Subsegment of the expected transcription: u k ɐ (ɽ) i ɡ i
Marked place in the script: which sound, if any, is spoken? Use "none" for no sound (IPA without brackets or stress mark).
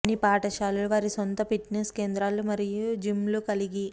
l